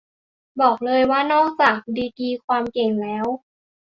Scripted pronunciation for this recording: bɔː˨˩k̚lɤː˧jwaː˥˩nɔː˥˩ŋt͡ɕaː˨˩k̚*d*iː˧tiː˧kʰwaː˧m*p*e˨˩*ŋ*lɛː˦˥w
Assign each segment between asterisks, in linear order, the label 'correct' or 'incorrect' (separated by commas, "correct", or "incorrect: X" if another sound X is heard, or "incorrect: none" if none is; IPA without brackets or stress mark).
correct, incorrect: k, correct